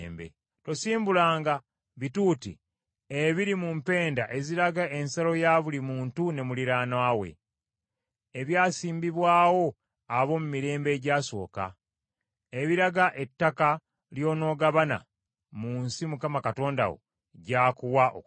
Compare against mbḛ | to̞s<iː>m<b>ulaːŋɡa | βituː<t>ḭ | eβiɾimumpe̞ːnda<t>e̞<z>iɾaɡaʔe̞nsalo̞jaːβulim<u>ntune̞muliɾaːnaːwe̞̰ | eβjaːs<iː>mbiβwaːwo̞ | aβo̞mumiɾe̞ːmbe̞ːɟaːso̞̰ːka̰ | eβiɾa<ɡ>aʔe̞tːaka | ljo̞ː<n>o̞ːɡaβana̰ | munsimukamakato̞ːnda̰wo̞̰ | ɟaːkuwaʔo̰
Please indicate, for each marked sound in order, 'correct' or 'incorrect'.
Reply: correct, correct, correct, incorrect, correct, incorrect, correct, correct, correct

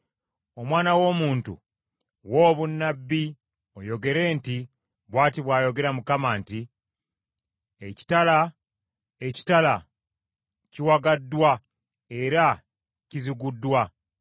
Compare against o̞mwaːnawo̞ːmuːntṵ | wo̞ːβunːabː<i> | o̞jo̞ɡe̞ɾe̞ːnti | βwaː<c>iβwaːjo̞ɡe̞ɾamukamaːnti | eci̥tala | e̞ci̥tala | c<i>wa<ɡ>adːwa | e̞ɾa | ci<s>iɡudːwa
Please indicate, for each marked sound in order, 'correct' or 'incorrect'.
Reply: correct, incorrect, correct, correct, incorrect

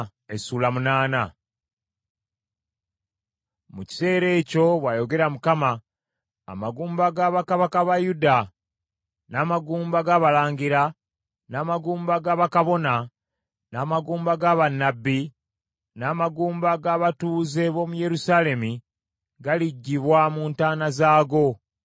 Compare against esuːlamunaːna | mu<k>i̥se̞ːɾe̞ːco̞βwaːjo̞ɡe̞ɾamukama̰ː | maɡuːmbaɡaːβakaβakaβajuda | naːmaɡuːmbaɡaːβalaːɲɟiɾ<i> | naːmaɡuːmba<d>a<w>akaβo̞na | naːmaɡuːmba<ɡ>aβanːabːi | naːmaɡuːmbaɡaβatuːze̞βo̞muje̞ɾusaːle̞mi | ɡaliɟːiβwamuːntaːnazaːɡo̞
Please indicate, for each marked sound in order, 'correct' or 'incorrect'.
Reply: incorrect, incorrect, incorrect, incorrect, correct

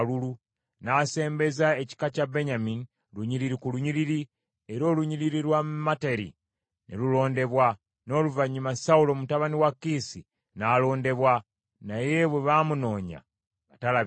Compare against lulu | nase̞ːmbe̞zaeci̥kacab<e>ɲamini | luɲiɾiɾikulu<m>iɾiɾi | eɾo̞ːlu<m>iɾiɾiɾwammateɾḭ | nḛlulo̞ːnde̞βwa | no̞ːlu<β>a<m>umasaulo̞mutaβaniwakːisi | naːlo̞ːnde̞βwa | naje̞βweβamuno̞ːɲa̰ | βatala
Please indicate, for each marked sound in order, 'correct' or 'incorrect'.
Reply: correct, incorrect, incorrect, incorrect, incorrect

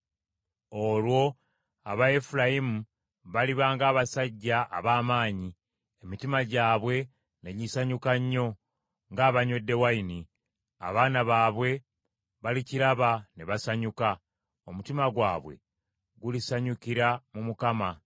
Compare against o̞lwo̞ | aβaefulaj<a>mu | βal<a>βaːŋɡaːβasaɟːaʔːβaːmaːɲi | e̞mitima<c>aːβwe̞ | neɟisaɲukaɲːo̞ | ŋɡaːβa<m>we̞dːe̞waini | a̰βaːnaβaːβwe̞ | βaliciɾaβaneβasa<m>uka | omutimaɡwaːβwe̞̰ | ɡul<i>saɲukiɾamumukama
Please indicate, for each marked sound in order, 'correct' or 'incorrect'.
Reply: incorrect, incorrect, incorrect, incorrect, incorrect, correct

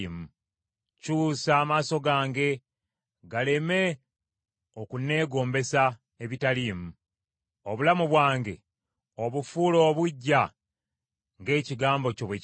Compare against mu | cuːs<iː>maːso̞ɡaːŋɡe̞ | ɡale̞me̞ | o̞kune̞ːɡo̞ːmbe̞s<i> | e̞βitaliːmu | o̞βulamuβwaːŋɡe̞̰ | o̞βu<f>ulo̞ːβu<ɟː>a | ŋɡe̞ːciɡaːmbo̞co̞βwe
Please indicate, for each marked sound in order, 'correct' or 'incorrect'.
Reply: incorrect, incorrect, correct, correct

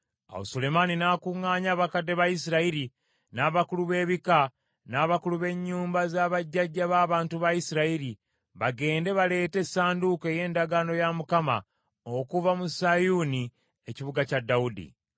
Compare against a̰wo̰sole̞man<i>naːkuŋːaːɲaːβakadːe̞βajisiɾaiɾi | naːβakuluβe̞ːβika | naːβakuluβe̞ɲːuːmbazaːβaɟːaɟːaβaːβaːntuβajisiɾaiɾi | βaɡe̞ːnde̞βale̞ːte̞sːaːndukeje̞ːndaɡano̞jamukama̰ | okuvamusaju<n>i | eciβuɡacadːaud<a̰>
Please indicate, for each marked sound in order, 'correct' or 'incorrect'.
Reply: correct, correct, incorrect

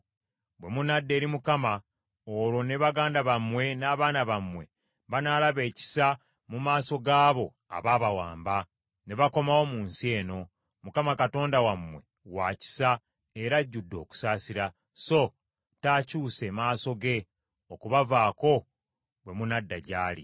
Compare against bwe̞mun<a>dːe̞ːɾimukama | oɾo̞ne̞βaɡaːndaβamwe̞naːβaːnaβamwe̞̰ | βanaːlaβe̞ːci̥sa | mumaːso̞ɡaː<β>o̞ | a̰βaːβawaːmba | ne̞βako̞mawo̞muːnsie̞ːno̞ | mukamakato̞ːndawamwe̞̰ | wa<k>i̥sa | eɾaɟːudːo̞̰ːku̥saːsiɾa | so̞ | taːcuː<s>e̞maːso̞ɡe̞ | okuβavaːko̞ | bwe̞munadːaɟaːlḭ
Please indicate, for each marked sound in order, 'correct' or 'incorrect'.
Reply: correct, correct, incorrect, correct

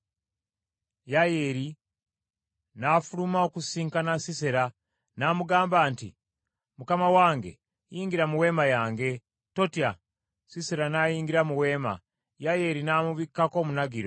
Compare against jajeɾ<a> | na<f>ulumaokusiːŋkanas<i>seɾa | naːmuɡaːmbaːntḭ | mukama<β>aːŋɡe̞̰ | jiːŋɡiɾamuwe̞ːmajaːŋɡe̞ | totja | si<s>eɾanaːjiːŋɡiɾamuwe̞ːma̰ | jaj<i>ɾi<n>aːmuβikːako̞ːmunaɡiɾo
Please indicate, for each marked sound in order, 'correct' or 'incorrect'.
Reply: incorrect, correct, correct, incorrect, correct, incorrect, correct

